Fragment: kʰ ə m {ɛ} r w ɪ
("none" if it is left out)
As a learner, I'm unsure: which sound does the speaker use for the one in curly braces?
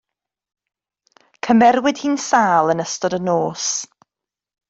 ɛ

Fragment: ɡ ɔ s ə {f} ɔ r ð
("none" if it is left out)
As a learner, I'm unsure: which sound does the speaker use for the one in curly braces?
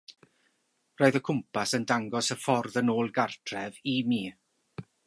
f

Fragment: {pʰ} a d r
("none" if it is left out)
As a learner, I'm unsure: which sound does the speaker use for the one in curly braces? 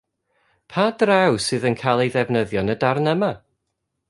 pʰ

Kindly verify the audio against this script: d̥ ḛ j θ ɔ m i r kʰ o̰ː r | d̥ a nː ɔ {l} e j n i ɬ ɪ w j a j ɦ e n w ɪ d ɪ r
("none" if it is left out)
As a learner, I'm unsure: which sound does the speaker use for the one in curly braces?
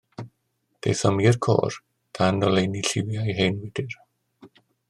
l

